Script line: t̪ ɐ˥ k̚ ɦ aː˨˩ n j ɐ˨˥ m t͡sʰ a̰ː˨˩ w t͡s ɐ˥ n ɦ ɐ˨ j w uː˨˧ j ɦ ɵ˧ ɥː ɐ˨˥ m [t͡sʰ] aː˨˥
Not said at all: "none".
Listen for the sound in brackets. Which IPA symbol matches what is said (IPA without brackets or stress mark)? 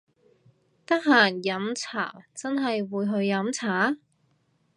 t͡sʰ